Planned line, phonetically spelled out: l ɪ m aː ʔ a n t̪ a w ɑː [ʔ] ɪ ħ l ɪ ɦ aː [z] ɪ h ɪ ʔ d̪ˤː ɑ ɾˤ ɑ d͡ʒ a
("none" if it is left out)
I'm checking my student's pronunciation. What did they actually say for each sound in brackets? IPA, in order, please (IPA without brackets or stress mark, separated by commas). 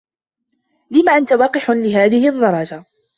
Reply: q, ð